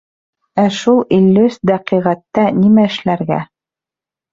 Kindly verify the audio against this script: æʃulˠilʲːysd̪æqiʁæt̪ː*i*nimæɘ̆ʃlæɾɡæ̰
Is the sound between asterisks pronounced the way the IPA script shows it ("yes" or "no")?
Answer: no